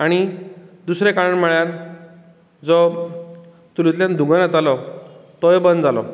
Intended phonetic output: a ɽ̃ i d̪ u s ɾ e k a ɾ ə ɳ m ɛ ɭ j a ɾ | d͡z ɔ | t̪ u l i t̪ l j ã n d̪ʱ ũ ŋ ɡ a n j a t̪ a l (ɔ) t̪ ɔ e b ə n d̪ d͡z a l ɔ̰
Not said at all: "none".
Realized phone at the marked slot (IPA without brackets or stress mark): ɔ